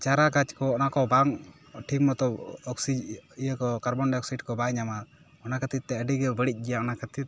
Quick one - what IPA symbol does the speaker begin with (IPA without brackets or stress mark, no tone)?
t͡ʃ